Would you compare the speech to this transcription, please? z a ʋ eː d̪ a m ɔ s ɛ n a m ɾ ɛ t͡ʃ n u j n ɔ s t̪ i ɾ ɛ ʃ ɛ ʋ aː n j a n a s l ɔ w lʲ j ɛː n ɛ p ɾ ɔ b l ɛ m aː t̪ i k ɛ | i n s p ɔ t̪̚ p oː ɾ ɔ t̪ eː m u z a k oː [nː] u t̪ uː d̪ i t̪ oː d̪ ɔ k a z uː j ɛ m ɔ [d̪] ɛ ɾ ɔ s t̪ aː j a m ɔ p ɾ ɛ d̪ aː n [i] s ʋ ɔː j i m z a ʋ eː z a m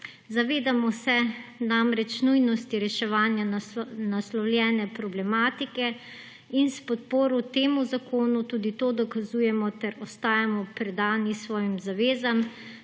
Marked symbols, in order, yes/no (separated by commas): no, no, yes